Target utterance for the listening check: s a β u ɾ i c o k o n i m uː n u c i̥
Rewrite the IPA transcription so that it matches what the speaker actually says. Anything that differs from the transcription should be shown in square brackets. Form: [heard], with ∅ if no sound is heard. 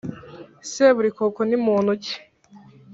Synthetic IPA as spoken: s [e] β u ɾ i [k] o k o n i m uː n u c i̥